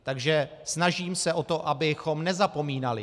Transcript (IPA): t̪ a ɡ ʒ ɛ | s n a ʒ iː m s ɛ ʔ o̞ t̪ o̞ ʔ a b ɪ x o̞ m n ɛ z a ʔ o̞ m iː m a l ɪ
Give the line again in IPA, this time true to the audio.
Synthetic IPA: t̪ a ɡ ʒ ɛ | s n a ʒ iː m s ɛ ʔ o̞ t̪ o̞ ʔ a b ɪ x o̞ m n ɛ z a p o̞ m iː n a l ɪ